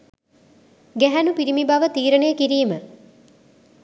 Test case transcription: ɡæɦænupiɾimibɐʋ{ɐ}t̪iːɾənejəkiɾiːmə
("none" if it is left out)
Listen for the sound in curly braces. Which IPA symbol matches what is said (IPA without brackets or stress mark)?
ə